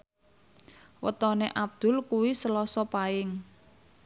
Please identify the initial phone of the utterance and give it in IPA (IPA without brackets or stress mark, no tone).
w